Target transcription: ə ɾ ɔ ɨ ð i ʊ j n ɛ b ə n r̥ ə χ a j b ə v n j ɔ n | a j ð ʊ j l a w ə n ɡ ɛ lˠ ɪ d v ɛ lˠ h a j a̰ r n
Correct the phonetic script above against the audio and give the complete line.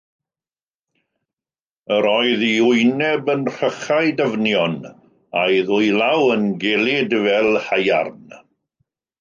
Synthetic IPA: ə ɾ ɔ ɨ ð i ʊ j n ɛ b ə n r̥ ə χ a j d ə v n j ɔ n | a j ð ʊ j l a w ə n ɡ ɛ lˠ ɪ d v ɛ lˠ h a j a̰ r n